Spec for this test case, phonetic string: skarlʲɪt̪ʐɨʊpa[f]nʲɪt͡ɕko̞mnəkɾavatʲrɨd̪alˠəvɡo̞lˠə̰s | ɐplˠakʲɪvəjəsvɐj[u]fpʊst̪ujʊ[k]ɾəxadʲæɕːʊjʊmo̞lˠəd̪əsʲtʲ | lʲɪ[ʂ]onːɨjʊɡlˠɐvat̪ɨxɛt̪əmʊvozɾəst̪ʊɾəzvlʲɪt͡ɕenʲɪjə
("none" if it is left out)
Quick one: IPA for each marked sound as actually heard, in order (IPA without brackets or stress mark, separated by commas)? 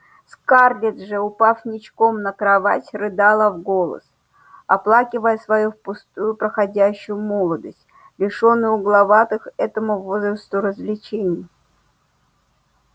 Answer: f, u, p, ʂ